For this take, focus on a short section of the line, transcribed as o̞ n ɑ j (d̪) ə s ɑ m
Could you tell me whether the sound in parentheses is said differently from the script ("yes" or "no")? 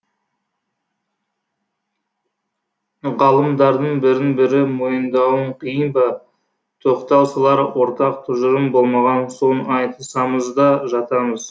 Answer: yes